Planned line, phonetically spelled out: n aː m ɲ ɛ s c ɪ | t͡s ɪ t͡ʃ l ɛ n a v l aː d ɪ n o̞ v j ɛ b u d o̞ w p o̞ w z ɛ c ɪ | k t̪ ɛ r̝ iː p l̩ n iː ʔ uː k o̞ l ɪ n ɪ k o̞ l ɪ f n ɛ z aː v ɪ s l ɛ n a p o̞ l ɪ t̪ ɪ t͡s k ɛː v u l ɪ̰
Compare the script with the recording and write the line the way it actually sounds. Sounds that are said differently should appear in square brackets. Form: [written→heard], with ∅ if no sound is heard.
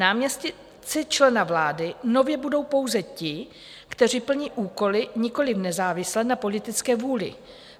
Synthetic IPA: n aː m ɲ ɛ s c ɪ | t͡s ɪ t͡ʃ l ɛ n a v l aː d ɪ n o̞ v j ɛ b u d o̞ w p o̞ w z ɛ c ɪ | k t̪ ɛ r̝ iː p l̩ [n→ɲ] iː ʔ uː k o̞ l ɪ [n→ɲ] ɪ k o̞ l ɪ f n ɛ z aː v ɪ s l ɛ n a p o̞ l ɪ t̪ ɪ t͡s k ɛː v [u→uː] l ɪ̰

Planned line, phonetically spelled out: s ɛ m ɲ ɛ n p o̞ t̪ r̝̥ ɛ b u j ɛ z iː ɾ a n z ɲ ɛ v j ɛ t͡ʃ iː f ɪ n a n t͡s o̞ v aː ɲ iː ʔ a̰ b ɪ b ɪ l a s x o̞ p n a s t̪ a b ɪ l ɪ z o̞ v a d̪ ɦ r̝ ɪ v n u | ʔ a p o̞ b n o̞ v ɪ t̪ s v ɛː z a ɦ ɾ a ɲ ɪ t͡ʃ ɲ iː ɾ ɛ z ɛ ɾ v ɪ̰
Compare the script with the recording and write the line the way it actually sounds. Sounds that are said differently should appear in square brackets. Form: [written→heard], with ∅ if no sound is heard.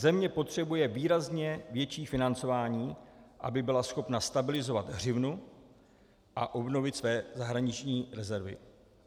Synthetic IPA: [s→z] ɛ m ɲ ɛ [n→∅] p o̞ t̪ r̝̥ ɛ b u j ɛ [z→v] iː ɾ a [n→∅] z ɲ ɛ v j ɛ t͡ʃ iː f ɪ n a n t͡s o̞ v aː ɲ iː ʔ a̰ b ɪ b ɪ l a s x o̞ p n a s t̪ a b ɪ l ɪ z o̞ v a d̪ ɦ r̝ ɪ v n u | ʔ a [p→ʔ] o̞ b n o̞ v ɪ t̪ s v ɛː z a ɦ ɾ a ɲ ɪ t͡ʃ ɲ iː ɾ ɛ z ɛ ɾ v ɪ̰

